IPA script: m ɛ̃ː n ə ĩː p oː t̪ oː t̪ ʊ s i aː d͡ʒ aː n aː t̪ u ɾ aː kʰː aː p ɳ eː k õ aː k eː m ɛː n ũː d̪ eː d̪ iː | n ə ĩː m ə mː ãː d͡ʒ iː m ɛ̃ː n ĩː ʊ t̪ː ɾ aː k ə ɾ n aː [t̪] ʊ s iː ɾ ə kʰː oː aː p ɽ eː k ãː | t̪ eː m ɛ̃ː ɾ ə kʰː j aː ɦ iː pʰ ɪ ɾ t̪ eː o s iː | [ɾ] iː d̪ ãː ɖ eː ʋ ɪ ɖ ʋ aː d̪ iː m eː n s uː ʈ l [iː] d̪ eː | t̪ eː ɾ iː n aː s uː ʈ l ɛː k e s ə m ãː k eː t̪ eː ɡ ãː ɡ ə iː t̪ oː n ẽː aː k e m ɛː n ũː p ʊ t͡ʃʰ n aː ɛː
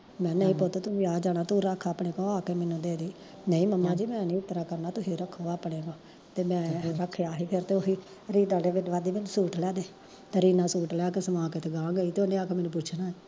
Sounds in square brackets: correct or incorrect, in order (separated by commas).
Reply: correct, correct, incorrect